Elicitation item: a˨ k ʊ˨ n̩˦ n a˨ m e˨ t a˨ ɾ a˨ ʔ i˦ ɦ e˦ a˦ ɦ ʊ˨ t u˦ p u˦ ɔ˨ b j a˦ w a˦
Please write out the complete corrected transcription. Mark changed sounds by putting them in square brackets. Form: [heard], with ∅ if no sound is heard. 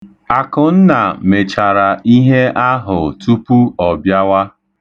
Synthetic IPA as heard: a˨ k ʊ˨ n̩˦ n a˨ m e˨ [t͡ʃ] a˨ ɾ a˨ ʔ i˦ ɦ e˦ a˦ ɦ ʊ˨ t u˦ p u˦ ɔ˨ b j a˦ w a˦

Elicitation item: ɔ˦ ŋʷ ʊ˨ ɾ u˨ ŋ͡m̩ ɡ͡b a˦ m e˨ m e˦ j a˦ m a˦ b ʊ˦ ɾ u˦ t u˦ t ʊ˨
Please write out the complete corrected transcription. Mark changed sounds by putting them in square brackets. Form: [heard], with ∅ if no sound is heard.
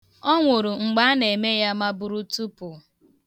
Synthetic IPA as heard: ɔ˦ ŋʷ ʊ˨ ɾ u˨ ŋ͡m̩ ɡ͡b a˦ [n] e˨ m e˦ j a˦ m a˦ b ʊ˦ ɾ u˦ t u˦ [p] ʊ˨

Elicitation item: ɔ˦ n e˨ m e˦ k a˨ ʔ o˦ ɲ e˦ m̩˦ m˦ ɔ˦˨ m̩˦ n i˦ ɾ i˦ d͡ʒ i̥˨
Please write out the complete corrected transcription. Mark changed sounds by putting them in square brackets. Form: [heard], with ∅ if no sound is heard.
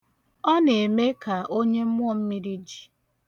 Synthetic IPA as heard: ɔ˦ n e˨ m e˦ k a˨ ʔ o˦ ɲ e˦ m̩˦ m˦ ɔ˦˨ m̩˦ [m] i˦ ɾ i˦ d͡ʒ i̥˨

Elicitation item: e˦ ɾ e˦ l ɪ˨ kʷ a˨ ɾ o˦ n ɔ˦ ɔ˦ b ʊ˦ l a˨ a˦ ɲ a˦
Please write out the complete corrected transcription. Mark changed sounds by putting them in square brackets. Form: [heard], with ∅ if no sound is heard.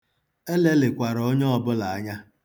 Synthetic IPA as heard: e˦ [l] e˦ l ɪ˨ kʷ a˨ ɾ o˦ [ɲ] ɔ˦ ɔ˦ b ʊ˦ l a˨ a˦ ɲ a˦

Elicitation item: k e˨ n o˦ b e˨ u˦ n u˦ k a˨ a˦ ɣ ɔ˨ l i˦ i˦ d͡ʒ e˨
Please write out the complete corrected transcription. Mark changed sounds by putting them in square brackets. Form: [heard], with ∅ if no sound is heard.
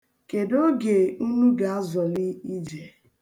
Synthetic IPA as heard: k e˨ [d] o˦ [ɡ] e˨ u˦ n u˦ [ɡ] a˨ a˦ [z] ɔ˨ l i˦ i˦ d͡ʒ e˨

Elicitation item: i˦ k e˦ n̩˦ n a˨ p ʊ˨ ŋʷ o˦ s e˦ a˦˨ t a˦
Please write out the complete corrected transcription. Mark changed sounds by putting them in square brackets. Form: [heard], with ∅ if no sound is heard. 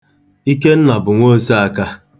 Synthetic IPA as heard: i˦ k e˦ n̩˦ n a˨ [b] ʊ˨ ŋʷ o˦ s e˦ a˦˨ [k] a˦

